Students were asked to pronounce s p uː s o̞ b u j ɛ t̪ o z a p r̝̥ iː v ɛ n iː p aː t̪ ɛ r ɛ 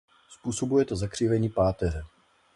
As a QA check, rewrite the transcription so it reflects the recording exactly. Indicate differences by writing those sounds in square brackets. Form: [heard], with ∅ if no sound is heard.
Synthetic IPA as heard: s p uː s o̞ b u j ɛ t̪ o z a [k] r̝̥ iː v ɛ [ɲ] iː p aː t̪ ɛ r ɛ